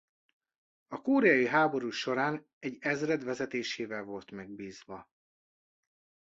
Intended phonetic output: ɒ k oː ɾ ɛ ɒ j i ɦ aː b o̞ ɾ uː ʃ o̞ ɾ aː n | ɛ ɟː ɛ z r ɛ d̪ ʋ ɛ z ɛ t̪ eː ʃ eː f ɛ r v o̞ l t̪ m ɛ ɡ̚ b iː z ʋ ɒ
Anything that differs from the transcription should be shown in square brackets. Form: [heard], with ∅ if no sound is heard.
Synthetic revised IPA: ɒ k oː ɾ ɛ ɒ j i ɦ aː b o̞ ɾ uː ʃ o̞ ɾ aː n | ɛ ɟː ɛ z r ɛ d̪ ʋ ɛ z ɛ t̪ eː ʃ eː [v] ɛ [l] v o̞ l t̪ m ɛ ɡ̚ b iː z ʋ ɒ